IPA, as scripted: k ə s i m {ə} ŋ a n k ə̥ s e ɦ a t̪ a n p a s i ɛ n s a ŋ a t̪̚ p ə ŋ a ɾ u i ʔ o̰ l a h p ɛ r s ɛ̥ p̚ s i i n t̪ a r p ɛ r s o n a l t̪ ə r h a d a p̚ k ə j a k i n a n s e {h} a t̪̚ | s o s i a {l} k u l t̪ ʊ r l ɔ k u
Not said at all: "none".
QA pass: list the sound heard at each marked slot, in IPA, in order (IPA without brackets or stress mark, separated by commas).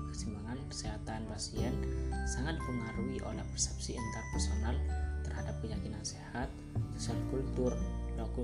a, h, l